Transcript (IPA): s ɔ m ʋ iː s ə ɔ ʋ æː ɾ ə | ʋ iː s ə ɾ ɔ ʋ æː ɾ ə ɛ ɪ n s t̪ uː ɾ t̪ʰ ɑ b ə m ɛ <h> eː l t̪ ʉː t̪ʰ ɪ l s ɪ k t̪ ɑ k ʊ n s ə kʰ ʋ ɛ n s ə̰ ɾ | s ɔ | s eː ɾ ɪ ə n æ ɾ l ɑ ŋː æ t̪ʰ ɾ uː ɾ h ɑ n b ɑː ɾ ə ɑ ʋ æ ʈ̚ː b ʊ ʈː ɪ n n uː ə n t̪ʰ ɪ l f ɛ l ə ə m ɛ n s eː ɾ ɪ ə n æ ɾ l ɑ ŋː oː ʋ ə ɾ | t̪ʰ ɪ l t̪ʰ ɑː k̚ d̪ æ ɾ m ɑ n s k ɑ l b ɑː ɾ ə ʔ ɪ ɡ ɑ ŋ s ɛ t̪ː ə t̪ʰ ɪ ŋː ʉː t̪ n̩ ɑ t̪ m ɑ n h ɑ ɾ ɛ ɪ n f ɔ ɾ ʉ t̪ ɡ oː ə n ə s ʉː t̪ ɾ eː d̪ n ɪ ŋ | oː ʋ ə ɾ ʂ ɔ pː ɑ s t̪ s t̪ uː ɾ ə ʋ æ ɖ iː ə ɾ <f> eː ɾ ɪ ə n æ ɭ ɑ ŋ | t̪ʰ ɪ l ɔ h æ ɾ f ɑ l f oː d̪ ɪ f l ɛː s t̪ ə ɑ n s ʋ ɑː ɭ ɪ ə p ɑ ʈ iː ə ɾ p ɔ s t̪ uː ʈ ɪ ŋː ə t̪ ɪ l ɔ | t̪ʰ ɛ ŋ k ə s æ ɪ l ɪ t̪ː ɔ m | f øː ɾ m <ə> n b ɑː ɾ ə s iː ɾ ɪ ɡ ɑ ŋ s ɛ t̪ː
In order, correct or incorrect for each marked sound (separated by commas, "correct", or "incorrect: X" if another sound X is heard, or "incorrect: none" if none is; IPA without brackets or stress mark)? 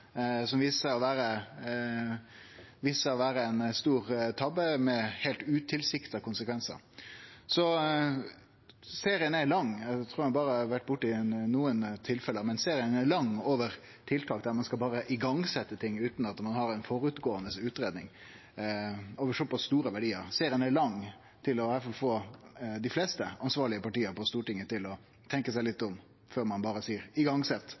correct, incorrect: s, incorrect: ɑ